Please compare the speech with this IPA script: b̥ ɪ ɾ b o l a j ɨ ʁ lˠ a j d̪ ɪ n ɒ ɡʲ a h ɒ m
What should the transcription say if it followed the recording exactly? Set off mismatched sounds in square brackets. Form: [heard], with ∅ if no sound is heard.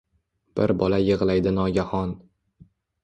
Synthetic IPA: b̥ ɪ ɾ b [ɒ] l a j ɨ ʁ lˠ a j d̪ ɪ n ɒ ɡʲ a h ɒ [n]